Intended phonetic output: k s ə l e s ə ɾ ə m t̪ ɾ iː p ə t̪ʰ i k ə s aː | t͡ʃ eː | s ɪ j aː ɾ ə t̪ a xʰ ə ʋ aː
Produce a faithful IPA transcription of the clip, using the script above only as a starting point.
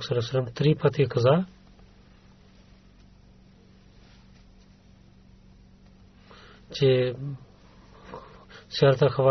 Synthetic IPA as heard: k s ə l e s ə l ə m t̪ ɾ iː p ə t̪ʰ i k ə z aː | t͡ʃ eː | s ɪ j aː ɾ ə t̪ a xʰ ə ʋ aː